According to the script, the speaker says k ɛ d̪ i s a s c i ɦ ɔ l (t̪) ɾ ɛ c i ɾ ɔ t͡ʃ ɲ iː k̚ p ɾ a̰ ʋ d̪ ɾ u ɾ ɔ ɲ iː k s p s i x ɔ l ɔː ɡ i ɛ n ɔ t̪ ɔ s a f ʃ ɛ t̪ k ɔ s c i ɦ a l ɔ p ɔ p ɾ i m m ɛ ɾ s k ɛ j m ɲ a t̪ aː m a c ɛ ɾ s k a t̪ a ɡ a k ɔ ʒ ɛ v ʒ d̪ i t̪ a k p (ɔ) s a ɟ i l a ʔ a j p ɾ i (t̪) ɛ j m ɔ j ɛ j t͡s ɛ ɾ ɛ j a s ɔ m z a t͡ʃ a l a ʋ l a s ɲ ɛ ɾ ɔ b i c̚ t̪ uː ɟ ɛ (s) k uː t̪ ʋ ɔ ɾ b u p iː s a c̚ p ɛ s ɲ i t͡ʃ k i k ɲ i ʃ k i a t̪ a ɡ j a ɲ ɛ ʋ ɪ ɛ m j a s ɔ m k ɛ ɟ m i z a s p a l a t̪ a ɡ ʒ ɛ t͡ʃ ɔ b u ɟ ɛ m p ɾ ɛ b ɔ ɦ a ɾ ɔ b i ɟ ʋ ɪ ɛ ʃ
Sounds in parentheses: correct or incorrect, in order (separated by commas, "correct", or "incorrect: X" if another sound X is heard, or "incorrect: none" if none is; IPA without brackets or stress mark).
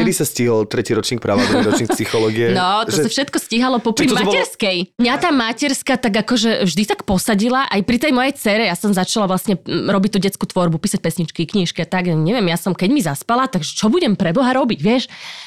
correct, correct, correct, incorrect: t͡s